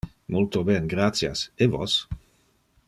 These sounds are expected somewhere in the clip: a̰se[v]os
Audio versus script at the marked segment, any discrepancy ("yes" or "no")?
no